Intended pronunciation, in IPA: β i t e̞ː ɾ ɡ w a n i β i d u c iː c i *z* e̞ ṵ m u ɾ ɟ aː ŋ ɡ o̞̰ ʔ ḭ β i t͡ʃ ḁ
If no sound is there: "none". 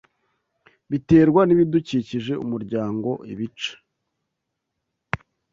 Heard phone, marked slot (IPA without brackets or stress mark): ʒ